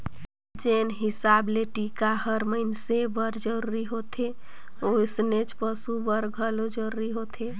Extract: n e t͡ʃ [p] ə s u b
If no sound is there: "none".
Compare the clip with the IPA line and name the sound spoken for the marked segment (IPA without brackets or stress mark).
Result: p